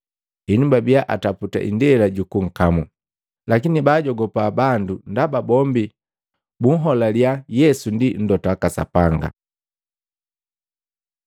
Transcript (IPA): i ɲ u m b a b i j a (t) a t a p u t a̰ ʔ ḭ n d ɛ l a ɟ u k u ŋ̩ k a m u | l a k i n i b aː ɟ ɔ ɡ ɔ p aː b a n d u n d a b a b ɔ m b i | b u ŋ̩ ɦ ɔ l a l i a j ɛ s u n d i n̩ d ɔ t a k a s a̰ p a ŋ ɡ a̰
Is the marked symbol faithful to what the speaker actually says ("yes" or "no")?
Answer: no